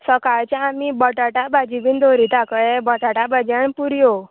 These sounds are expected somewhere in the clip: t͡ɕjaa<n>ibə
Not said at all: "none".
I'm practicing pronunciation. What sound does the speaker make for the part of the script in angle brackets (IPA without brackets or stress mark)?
m